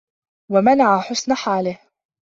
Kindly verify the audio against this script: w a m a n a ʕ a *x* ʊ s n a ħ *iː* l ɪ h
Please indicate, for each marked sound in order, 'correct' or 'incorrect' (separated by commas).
incorrect, incorrect